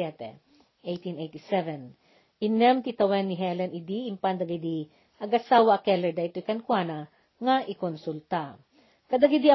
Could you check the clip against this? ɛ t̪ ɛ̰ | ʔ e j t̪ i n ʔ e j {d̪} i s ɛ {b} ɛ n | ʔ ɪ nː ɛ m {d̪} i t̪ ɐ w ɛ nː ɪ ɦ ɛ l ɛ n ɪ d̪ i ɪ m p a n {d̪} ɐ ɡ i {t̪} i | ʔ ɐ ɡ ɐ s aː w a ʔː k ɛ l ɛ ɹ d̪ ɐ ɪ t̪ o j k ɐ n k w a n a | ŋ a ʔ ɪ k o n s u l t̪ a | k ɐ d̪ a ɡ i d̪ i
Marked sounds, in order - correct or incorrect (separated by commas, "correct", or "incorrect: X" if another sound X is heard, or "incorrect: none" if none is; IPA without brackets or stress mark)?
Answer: incorrect: t̪, incorrect: v, incorrect: t̪, correct, incorrect: d̪